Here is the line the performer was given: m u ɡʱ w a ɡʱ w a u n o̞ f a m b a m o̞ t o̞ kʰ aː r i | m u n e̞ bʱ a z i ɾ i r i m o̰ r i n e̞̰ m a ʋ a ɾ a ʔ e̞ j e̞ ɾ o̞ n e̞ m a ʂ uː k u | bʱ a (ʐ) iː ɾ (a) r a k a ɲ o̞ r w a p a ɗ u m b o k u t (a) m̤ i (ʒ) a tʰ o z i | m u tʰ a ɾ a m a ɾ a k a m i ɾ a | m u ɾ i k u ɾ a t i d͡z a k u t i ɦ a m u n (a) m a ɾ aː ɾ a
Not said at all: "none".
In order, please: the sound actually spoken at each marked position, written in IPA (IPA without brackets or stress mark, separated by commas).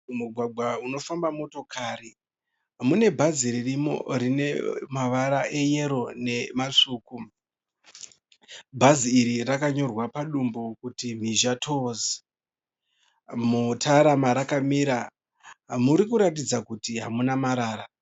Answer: z, i, i, ʒ, a